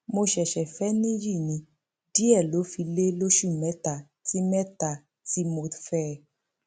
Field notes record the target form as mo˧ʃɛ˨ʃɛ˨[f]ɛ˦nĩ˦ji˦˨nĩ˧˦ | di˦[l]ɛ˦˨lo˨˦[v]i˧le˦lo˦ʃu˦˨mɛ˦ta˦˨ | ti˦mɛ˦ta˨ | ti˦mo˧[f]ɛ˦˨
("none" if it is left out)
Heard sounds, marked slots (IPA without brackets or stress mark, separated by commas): f, none, f, f